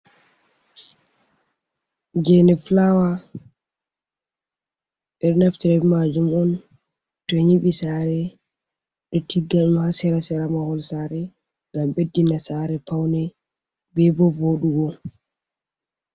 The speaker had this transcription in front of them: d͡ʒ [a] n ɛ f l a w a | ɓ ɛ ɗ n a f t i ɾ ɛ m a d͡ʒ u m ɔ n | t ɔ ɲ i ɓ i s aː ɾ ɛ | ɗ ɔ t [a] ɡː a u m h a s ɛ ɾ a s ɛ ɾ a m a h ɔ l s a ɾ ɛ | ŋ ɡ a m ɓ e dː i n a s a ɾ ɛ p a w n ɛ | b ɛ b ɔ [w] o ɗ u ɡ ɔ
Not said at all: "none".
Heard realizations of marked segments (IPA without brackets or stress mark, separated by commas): ɛ, i, v